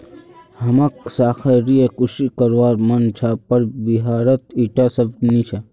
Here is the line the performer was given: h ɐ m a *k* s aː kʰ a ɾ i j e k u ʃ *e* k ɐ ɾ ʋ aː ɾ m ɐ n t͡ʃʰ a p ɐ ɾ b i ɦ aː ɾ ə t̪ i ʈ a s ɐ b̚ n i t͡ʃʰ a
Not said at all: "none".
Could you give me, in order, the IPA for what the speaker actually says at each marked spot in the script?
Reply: k, i

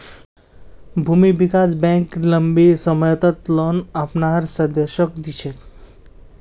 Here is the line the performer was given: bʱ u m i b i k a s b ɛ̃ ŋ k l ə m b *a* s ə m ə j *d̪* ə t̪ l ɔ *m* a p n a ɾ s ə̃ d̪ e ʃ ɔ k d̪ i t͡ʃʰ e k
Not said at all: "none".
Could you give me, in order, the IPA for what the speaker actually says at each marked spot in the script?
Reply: i, t̪, n

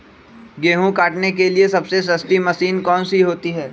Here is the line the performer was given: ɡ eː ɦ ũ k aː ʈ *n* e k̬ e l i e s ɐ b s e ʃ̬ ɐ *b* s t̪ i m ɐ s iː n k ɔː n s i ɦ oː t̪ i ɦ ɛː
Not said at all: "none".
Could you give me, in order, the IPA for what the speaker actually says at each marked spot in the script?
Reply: n, none

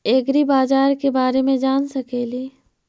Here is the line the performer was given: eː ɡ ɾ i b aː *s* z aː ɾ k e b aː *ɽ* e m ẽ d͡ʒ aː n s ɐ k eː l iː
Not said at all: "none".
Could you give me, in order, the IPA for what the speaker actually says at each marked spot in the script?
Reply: none, ɾ

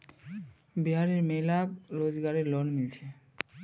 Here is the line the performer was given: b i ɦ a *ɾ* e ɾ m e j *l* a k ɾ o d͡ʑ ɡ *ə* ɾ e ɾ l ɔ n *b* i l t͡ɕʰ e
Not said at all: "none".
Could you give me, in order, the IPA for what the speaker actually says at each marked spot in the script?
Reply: ɾ, l, a, m

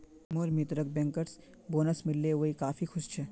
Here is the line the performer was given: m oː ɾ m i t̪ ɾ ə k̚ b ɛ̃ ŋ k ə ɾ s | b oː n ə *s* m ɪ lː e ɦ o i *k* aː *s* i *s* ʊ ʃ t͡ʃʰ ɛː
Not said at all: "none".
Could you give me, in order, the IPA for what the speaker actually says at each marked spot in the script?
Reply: s, k, f, x

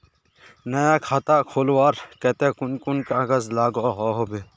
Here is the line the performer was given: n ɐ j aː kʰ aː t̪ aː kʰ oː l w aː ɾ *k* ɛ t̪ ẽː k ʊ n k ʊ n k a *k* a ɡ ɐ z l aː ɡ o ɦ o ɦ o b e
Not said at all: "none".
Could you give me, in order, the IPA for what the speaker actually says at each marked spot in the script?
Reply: k, none

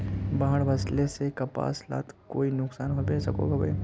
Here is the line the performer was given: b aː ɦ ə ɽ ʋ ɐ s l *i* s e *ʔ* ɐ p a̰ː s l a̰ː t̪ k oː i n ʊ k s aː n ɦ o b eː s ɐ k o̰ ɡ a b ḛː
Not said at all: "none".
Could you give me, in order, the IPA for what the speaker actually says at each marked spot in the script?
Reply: e, k

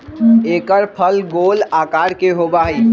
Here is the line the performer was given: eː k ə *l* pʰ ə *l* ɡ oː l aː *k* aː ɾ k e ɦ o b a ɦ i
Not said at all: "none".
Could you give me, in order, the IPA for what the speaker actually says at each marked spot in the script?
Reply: ɾ, l, k

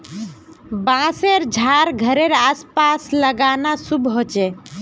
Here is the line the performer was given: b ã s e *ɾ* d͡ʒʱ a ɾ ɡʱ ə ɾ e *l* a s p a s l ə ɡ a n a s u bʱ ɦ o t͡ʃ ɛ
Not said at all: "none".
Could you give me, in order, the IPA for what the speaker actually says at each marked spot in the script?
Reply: ɾ, ɾ

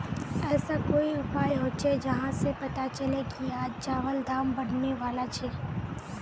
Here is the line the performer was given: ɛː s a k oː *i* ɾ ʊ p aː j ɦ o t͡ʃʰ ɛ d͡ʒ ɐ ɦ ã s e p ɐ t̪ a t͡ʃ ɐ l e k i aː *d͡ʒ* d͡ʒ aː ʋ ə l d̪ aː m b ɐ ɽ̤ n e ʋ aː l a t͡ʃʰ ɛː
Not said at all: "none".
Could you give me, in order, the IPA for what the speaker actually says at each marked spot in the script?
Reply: i, d͡ʒ

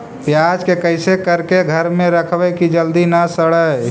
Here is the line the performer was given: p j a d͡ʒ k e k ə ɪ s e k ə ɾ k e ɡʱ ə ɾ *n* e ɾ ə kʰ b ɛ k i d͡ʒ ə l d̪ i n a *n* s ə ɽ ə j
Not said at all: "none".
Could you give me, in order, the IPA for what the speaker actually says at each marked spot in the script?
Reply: m, none

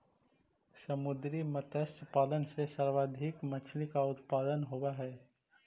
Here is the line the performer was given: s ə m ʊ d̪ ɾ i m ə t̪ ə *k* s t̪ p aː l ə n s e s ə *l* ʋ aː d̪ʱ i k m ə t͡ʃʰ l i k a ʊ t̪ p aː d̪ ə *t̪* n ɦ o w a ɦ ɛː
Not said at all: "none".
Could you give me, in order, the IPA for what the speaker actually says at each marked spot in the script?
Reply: none, ɾ, none

